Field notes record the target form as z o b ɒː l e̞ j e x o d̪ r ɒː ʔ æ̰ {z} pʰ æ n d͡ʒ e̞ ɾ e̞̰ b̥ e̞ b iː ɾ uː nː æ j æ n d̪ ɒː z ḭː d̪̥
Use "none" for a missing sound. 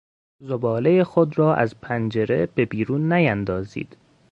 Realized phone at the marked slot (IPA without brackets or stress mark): z